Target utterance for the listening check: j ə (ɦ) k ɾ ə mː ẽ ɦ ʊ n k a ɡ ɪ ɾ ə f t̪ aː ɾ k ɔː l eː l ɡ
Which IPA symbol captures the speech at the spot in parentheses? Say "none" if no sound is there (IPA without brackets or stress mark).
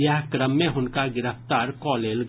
ɦ